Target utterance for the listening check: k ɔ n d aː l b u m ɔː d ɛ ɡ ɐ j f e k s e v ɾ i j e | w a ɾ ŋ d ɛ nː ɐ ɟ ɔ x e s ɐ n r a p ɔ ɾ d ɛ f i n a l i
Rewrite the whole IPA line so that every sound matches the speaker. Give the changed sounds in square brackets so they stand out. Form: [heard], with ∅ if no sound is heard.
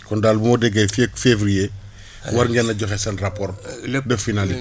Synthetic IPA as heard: k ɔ n d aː l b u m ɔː d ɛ ɡ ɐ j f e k [f] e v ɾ i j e | w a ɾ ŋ [ɡ] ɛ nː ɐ ɟ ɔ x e s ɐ n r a p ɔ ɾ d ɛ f i n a l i